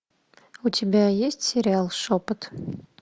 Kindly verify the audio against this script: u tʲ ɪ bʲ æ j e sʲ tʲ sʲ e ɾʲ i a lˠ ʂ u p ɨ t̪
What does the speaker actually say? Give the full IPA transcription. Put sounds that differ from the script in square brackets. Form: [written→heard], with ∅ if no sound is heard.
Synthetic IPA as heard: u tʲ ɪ bʲ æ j e sʲ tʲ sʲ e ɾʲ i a lˠ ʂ [u→o] p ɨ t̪